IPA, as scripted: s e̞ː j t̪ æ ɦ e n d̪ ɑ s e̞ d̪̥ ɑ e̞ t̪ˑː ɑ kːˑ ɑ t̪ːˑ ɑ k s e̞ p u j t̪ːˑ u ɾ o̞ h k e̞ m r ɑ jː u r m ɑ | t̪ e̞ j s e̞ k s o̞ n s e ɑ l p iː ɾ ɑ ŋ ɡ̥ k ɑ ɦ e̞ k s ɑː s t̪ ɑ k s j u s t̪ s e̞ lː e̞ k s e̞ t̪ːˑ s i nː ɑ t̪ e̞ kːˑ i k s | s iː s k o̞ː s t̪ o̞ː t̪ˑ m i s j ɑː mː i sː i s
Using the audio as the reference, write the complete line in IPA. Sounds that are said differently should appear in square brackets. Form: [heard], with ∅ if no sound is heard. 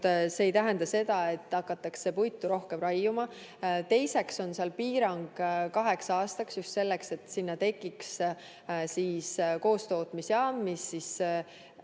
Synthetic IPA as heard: s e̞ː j t̪ æ ɦ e n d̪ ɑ s e̞ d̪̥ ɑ e̞ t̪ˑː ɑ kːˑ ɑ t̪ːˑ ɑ k s e̞ p u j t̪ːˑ u ɾ o̞ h k e̞ m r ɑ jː u [∅] m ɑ | t̪ e̞ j s e̞ k s o̞ n s e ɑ l p iː ɾ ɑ ŋ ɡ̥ k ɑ ɦ e̞ k s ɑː s t̪ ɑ k s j u s t̪ s e̞ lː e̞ k s e̞ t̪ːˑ s i nː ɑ t̪ e̞ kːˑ i k s | s iː s k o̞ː s t̪ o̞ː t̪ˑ m i s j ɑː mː i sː i s